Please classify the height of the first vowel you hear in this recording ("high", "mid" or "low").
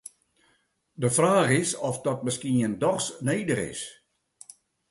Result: mid